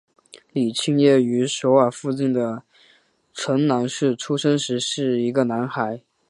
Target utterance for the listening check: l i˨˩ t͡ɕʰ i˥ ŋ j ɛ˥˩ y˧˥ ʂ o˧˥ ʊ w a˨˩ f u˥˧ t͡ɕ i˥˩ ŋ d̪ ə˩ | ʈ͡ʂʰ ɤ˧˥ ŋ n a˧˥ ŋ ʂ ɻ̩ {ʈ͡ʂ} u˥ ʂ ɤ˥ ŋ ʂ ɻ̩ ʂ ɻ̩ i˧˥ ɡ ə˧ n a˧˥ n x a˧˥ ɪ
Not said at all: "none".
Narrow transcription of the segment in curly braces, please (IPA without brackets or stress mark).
ʈ͡ʂʰ